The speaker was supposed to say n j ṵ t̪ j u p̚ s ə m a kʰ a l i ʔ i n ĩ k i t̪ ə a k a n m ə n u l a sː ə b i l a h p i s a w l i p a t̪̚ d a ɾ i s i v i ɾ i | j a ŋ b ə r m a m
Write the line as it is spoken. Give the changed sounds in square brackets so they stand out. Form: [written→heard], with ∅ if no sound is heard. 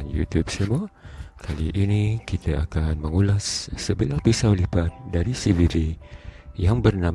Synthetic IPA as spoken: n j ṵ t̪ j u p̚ s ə m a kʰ a l i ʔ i n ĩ k i t̪ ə a k a n m ə [n→ŋ] u l a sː ə b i l a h p i s a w l i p a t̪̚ d a ɾ i s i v i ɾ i | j a ŋ b ə r [m→n] a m